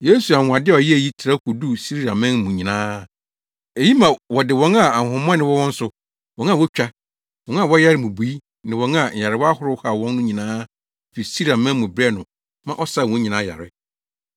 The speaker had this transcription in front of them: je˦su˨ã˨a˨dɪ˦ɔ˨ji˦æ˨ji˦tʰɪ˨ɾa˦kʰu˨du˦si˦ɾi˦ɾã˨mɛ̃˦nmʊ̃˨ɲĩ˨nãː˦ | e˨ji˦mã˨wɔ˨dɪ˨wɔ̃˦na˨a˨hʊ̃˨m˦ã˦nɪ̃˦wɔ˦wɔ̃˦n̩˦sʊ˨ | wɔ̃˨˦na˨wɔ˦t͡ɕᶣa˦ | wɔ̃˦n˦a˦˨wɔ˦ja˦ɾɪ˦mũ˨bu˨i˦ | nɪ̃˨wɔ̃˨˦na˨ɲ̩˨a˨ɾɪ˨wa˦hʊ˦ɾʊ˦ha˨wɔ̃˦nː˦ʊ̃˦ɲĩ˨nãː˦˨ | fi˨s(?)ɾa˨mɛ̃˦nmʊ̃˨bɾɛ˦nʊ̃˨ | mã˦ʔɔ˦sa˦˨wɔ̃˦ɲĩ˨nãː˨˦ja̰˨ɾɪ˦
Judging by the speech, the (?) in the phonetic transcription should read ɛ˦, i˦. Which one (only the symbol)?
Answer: i˦